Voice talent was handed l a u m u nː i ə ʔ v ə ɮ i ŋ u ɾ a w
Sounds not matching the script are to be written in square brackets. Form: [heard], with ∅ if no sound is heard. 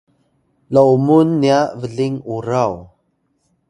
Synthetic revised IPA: l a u m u nː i [a] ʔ v ə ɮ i ŋ u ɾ a w